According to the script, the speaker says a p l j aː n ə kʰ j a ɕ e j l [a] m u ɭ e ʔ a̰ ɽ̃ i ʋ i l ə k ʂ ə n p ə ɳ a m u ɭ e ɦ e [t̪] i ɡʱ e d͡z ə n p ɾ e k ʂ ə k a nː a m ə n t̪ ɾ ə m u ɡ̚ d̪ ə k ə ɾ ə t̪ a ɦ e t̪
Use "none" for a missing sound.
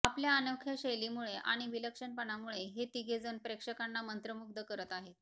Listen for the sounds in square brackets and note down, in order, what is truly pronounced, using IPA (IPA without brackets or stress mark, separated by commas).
i, t̪